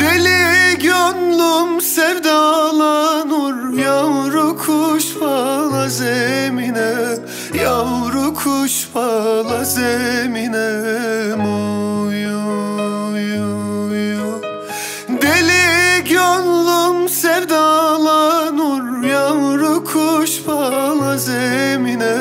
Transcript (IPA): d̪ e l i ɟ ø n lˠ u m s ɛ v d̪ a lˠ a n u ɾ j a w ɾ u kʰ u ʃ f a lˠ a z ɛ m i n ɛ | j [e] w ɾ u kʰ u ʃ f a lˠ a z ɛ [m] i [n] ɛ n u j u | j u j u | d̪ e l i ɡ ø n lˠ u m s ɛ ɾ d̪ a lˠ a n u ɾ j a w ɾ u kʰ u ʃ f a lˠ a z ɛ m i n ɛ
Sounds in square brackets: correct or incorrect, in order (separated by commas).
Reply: incorrect, correct, correct